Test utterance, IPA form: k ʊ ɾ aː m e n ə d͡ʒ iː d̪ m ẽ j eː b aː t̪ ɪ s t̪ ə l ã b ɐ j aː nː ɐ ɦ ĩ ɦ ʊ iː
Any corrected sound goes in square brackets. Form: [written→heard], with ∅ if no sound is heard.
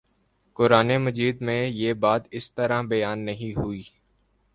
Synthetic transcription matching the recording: k ʊ ɾ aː [m→n] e [n→m] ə d͡ʒ iː d̪ m ẽ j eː b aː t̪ ɪ s t̪ ə [l→ɾ] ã b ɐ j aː nː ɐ ɦ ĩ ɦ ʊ iː

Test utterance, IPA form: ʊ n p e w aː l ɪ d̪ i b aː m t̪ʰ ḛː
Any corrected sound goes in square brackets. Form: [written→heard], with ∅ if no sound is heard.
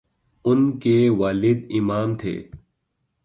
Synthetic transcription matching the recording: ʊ n [p→k] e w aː l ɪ d̪ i [b→m] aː m t̪ʰ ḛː

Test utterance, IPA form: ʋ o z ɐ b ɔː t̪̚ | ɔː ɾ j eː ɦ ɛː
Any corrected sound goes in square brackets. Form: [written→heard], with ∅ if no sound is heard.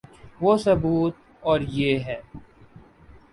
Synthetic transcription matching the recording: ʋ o [z→s] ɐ b [ɔː→uː] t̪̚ | ɔː ɾ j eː ɦ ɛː

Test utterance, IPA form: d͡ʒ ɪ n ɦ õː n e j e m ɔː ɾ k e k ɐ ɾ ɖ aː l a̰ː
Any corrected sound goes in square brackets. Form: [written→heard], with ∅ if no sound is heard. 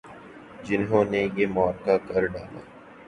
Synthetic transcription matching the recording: d͡ʒ ɪ n ɦ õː n e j e m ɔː ɾ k [e→a] k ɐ ɾ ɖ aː l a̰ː

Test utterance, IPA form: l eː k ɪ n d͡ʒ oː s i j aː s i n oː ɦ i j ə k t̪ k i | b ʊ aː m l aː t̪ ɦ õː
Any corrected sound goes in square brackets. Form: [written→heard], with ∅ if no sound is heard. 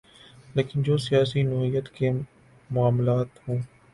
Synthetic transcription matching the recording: l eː k ɪ n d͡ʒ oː s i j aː s i n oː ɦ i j ə [k→∅] t̪ k [i→e] | [b→m] ʊ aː m l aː t̪ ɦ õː

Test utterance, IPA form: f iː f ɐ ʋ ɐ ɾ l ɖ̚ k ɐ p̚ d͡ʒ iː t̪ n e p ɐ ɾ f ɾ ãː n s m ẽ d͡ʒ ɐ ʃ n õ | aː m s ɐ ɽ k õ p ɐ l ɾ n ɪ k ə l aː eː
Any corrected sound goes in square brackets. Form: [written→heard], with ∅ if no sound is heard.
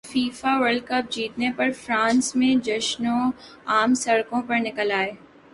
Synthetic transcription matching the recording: f iː f [ɐ→a] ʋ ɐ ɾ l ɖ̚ k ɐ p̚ d͡ʒ iː t̪ n e p ɐ ɾ f ɾ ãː n s m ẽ d͡ʒ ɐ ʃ n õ | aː m s ɐ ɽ k õ p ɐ [l→∅] ɾ n ɪ k ə l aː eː

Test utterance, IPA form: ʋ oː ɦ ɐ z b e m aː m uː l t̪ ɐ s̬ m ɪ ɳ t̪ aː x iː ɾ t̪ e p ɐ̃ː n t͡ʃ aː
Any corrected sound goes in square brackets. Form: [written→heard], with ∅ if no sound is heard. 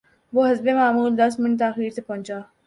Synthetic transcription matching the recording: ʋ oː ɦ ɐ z b e m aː m uː l [t̪→d̪] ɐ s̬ m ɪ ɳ t̪ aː x iː ɾ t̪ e p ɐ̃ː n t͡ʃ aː

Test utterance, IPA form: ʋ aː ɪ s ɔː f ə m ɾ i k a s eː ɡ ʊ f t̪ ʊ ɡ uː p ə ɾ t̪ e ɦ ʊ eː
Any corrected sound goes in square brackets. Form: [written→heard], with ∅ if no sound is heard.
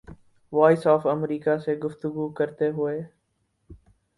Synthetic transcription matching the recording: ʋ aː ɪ s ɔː f ə m ɾ [i→iː] k a s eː ɡ ʊ f t̪ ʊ ɡ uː [p→k] ə ɾ t̪ e ɦ ʊ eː

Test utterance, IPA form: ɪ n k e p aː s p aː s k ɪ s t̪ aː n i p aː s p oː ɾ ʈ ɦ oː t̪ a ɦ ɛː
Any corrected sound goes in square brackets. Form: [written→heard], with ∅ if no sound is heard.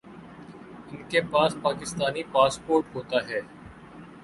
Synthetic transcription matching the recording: ɪ n k e p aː s p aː [s→∅] k ɪ s t̪ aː n i p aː s p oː ɾ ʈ ɦ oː t̪ a ɦ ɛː

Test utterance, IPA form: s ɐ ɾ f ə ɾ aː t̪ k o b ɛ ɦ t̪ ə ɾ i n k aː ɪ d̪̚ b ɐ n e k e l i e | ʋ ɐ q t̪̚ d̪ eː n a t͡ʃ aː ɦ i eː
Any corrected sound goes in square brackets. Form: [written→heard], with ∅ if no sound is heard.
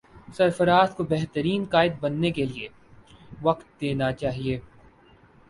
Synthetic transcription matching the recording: s ɐ ɾ f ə ɾ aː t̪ k o b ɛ ɦ t̪ ə ɾ [i→iː] n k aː ɪ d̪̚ b ɐ [n→nː] e k e l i e | ʋ ɐ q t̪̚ d̪ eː n a t͡ʃ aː ɦ i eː

